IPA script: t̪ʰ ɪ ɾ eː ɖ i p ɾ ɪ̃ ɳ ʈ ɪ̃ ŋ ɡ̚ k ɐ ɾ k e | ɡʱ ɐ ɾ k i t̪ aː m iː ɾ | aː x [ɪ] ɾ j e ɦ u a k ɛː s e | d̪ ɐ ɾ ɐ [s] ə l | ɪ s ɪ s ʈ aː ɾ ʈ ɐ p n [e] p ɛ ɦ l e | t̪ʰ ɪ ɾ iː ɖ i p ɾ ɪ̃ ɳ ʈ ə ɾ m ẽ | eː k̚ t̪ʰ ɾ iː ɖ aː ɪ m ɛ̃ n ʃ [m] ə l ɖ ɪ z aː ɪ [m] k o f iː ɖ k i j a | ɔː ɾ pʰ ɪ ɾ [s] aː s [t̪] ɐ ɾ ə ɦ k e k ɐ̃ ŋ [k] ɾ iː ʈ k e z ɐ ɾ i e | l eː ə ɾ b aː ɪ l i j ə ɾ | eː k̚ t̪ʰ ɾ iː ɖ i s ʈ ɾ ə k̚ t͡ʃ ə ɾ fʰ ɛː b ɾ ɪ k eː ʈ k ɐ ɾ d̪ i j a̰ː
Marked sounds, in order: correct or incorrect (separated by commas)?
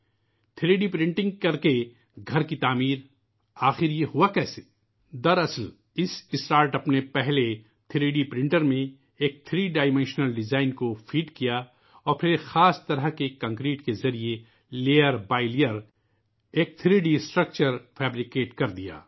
correct, correct, correct, incorrect, incorrect, incorrect, correct, correct